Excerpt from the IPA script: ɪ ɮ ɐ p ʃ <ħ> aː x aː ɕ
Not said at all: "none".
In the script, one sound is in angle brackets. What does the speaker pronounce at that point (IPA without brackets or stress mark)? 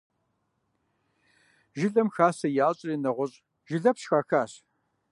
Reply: x